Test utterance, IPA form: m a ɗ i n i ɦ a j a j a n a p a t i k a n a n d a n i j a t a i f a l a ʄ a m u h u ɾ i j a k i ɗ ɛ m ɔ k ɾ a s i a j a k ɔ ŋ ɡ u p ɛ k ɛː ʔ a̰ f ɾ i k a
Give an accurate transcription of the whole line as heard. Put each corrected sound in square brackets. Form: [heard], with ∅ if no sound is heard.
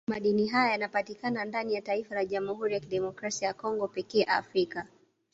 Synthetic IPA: m a ɗ i n i ɦ a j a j a n a p a t i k a n a n d a n i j a t a i f a l a ʄ a m u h u ɾ i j a k i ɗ ɛ m ɔ k ɾ a s i a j a k ɔ ŋ ɡ [ɔ] p ɛ k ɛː ʔ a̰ f ɾ i k a